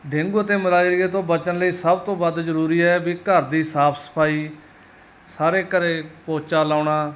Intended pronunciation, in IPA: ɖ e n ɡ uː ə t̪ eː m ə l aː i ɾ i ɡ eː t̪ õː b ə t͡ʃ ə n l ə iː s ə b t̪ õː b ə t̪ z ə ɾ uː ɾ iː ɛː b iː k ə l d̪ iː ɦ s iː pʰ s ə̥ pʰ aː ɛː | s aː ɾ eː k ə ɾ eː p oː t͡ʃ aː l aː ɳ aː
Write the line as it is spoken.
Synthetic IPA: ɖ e ŋ ɡ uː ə t̪ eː m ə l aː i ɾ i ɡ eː t̪ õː b ə t͡ʃ ə n l ə iː s ə b t̪ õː b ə d̪ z ə ɾ uː ɾ iː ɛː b iː k ə ɾ d̪ iː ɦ s aː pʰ s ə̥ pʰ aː iː | s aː ɾ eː k ə ɾ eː p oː t͡ʃ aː l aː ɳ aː